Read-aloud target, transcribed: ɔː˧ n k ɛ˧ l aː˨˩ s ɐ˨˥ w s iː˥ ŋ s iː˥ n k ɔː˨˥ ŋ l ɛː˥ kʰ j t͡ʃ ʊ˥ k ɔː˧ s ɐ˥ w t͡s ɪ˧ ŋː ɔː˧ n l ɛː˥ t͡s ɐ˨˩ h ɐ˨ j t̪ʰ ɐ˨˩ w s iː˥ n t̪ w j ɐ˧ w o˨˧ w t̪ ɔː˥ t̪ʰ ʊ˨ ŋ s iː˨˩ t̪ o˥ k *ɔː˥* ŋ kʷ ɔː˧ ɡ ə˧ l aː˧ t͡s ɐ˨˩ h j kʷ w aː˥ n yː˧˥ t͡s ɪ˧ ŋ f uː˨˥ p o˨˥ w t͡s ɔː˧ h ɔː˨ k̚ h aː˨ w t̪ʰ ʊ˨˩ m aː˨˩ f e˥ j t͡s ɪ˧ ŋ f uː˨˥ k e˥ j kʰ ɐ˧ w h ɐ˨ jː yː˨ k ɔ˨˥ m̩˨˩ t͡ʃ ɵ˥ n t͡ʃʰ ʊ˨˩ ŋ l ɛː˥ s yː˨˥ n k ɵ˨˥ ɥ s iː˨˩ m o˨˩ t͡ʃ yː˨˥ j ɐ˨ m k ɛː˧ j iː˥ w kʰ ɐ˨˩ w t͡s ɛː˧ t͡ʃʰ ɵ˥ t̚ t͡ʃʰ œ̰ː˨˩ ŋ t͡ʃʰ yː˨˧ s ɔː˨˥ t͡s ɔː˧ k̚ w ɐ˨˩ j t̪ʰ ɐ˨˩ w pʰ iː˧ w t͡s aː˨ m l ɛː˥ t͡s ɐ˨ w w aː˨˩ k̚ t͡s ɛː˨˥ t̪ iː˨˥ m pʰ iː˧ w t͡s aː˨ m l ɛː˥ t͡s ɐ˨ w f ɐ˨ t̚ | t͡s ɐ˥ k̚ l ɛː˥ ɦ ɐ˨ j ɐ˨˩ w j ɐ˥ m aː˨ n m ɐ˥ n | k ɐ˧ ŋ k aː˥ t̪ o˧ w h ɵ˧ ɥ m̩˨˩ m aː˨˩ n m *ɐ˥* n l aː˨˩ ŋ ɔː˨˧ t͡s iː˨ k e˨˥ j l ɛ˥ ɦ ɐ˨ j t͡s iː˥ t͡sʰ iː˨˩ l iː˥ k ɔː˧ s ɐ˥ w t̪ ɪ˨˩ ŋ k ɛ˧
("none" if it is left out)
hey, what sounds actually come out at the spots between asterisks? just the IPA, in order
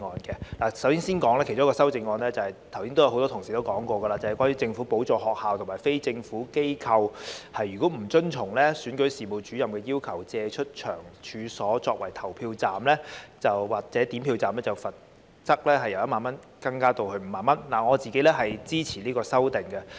ɔː˨˥, ɐ˥

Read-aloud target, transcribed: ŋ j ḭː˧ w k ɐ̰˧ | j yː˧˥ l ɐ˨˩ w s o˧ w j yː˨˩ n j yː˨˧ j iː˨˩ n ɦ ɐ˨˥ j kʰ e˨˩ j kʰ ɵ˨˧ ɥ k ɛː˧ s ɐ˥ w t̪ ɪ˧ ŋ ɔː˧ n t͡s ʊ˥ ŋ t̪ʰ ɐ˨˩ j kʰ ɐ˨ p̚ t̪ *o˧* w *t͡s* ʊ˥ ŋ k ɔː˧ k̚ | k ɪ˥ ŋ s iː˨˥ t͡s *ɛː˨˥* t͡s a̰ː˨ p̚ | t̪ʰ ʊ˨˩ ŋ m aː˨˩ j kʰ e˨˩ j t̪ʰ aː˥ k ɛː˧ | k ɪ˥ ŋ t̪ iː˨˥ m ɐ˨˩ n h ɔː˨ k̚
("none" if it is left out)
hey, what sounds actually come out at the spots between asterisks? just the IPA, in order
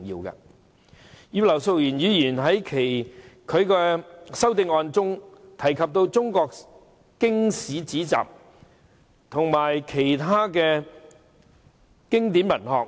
o˧, t͡s, iː˨˥

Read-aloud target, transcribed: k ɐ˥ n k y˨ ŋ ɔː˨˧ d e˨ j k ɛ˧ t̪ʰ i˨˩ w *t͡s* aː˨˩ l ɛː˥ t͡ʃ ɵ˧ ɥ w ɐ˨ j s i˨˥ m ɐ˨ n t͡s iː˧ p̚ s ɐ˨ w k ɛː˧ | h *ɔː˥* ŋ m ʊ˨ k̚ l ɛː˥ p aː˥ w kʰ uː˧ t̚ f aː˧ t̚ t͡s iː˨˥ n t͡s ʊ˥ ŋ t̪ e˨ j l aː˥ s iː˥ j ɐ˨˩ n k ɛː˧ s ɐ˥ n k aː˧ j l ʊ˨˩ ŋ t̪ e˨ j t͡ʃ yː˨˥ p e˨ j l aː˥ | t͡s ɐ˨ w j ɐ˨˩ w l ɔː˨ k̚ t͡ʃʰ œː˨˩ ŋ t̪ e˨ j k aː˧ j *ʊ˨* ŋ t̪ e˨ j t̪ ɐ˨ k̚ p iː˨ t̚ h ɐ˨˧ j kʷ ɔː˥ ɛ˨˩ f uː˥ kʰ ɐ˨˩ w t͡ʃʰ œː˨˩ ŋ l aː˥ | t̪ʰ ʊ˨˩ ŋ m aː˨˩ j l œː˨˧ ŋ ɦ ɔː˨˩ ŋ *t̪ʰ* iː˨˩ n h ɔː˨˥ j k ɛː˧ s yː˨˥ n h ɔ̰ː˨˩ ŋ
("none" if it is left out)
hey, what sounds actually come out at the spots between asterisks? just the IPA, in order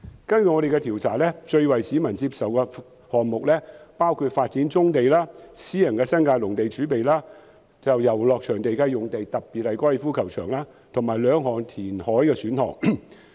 t͡sʰ, ɔː˨, ʊ˨, t̪ʰ

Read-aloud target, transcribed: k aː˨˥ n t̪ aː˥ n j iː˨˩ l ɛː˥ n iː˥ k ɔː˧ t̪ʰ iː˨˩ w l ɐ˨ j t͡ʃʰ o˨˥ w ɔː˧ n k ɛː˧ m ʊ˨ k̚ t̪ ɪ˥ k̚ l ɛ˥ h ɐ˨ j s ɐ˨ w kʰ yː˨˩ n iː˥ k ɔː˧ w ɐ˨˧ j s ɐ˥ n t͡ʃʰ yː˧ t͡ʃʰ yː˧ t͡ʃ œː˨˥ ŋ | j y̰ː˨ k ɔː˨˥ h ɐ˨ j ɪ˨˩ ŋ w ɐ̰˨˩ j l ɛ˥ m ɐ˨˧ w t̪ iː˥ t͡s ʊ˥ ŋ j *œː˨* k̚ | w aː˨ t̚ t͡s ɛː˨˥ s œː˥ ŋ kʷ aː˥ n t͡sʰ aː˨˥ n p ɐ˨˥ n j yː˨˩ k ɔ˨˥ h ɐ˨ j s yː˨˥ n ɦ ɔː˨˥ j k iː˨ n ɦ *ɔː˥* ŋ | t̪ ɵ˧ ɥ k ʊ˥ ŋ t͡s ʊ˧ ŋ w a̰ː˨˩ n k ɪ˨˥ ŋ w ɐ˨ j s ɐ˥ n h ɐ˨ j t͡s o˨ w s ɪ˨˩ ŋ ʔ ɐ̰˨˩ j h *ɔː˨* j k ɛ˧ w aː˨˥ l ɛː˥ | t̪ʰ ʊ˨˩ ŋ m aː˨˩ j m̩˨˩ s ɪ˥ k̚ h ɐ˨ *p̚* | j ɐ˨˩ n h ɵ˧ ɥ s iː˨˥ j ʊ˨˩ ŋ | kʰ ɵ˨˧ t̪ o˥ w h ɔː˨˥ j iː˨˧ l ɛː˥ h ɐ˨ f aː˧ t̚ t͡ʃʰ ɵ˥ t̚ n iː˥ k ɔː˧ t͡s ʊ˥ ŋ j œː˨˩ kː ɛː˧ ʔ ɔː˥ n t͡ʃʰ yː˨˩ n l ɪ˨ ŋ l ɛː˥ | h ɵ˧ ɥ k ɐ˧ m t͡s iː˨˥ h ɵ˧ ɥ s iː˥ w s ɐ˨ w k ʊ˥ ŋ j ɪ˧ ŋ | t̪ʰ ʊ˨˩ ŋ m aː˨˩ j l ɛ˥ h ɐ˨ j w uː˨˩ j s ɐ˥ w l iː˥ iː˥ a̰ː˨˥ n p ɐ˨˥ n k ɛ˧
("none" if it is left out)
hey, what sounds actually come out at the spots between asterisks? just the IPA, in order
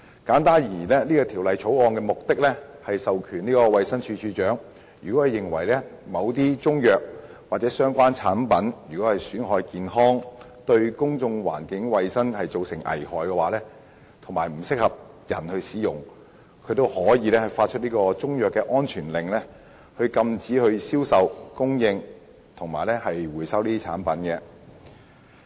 œː˨, ɔː˥, ɔː˨, p̚

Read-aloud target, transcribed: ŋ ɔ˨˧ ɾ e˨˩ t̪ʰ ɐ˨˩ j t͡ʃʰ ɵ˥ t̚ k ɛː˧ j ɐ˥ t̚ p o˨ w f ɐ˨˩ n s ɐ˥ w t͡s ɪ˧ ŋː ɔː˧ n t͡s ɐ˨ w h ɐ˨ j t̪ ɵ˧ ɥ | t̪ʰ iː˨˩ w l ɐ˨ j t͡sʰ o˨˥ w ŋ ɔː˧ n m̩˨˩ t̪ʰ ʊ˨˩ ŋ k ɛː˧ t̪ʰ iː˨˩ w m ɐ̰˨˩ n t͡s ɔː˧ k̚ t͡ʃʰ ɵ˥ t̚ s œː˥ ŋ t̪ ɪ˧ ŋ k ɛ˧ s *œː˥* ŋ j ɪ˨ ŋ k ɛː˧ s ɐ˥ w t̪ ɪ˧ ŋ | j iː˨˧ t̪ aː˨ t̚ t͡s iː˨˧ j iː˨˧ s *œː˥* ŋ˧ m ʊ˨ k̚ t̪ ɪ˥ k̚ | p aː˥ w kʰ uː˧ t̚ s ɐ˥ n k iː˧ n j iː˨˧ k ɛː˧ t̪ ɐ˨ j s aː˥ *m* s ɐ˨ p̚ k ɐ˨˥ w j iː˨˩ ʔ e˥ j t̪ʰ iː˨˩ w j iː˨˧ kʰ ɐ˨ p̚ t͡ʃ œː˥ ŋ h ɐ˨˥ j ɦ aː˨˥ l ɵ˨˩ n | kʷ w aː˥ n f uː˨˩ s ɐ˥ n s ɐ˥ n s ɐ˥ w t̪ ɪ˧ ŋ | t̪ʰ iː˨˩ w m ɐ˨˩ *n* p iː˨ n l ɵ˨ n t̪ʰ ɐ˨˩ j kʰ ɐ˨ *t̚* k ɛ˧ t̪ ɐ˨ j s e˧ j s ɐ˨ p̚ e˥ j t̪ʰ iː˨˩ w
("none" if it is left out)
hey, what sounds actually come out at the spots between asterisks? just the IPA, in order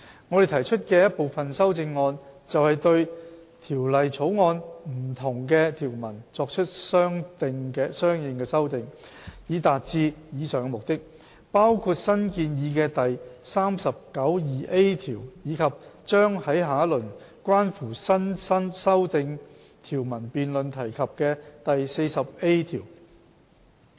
œː˥, œː˨, m, n, p̚

